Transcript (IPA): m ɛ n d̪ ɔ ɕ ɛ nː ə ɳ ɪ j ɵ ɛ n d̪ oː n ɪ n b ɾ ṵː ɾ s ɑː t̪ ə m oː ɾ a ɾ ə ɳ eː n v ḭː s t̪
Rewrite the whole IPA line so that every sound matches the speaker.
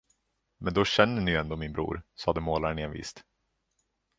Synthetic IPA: m ɛ n d̪ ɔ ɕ ɛ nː ə ɳ ɪ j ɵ ɛ n d̪ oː m ɪ n b ɾ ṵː ɾ s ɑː d̪ ə m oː l a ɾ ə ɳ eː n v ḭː s t̪